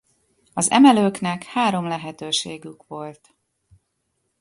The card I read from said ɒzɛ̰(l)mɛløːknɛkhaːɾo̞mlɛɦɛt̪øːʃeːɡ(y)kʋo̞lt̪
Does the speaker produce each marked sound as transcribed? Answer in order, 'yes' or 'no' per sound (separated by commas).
no, yes